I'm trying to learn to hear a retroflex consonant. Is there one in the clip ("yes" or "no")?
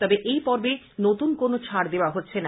no